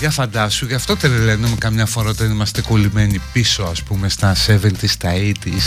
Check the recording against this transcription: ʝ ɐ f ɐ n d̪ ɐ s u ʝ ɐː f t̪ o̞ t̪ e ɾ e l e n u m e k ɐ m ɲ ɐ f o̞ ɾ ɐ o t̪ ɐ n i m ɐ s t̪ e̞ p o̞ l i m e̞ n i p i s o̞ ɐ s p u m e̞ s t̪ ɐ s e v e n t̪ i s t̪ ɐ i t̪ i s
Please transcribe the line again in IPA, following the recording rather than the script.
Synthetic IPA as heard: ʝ ɐ f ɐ n d̪ ɐ s u ʝ ɐ f t̪ o̞ t̪ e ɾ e l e n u m e k ɐ m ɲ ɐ f o̞ ɾ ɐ o t̪ ɐ n i m ɐ s t̪ e̞ k o̞ l i m e̞ n i p i s o̞ ɐ s p u m e̞ s t̪ ɐ s e v e n t̪ i s t̪ ɐ i t̪ i s